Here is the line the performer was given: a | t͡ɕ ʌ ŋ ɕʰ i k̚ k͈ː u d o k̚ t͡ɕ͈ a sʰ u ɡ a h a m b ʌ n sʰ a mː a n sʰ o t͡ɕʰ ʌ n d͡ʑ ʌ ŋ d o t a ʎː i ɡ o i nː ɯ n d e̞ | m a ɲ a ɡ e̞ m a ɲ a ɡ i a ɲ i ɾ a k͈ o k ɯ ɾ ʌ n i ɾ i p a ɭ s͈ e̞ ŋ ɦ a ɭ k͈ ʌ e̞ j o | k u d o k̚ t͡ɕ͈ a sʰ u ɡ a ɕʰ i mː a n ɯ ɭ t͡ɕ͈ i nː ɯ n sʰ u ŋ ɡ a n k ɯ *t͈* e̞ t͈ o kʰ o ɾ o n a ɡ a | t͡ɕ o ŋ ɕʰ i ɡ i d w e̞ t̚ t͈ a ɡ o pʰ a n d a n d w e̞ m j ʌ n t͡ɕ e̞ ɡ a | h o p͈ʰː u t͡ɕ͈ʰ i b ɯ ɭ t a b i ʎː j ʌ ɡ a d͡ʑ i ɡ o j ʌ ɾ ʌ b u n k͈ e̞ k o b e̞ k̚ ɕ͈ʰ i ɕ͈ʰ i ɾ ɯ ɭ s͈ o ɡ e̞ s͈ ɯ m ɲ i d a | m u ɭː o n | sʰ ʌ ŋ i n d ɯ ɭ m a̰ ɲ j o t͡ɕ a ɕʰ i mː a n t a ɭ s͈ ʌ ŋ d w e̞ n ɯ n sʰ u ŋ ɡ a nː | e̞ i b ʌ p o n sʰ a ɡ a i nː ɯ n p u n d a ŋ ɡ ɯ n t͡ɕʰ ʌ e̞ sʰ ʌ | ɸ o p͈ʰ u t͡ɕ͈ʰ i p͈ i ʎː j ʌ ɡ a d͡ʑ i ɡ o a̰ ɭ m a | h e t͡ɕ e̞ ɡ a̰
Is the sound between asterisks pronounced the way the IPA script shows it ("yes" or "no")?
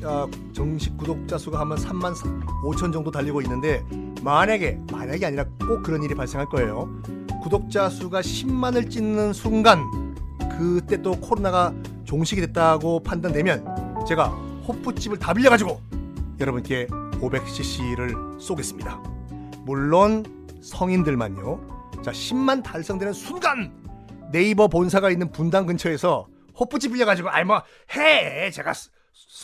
yes